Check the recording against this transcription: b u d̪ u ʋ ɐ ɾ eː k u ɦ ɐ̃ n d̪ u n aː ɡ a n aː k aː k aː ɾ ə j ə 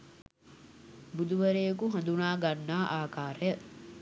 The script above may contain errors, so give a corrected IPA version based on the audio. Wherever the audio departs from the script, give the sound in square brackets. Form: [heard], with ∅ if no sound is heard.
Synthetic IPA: b u d̪ u ʋ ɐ ɾ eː k u ɦ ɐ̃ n d̪ u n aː ɡ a [nː] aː [ʔ] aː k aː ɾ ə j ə